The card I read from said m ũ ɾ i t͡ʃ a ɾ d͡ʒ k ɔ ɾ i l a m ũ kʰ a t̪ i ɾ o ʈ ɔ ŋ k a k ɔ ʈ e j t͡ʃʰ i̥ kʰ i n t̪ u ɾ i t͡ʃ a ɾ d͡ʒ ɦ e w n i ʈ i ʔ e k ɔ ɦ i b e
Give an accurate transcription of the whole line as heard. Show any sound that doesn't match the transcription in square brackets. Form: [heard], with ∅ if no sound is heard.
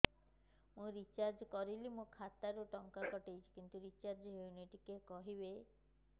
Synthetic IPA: m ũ ɾ i t͡ʃ a ɾ d͡ʒ k ɔ ɾ i l [i] m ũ kʰ a t̪ [a] ɾ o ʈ ɔ ŋ k a k ɔ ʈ e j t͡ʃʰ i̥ [k] i n t̪ u ɾ i t͡ʃ a ɾ d͡ʒ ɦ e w n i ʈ i [k] e k ɔ ɦ i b e